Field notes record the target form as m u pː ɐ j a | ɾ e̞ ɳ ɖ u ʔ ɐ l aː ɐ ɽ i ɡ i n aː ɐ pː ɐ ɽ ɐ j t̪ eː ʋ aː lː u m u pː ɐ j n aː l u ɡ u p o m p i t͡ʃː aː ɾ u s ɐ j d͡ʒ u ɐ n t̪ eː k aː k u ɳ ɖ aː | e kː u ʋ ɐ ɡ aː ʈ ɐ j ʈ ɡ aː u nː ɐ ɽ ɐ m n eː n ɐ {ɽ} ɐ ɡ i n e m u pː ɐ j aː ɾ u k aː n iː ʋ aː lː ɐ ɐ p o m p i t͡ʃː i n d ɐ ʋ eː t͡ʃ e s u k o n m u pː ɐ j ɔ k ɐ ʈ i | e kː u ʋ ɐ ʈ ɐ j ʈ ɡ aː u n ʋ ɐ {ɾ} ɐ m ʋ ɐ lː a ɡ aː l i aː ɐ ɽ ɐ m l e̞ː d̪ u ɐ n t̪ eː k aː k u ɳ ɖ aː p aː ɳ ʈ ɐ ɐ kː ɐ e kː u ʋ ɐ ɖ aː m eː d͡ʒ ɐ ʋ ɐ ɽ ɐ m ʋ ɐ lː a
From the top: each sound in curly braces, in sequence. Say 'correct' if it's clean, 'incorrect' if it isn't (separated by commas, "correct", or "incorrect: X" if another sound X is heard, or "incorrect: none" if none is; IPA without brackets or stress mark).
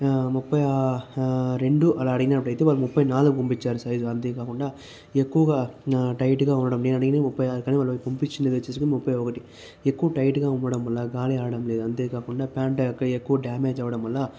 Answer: correct, incorrect: ɽ